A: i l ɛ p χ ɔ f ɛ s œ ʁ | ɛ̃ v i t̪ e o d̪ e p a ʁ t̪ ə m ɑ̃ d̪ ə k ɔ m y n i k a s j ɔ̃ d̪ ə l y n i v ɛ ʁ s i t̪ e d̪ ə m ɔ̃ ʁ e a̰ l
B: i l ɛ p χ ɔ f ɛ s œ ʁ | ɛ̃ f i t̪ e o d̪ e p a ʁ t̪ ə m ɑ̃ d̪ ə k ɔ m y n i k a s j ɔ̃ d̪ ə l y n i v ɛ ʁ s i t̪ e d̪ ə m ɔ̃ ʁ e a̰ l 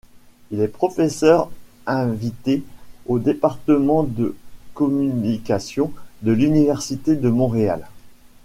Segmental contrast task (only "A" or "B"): A